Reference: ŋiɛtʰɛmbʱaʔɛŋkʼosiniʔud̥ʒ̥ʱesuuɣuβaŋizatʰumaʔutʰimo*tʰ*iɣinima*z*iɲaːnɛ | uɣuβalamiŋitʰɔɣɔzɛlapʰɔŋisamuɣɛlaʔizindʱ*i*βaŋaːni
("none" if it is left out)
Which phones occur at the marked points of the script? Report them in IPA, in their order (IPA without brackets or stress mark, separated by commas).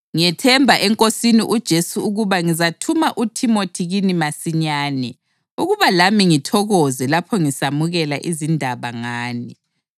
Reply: tʰ, s, a